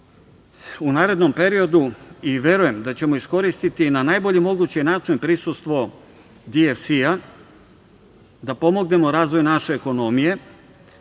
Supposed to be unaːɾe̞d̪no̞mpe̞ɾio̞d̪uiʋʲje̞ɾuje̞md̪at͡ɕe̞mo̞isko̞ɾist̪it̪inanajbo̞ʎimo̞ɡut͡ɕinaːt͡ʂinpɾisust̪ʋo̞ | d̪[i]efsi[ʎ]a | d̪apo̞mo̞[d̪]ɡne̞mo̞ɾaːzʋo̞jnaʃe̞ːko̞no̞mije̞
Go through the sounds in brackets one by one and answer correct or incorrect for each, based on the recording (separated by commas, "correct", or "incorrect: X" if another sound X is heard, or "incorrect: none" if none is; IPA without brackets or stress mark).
correct, incorrect: none, incorrect: none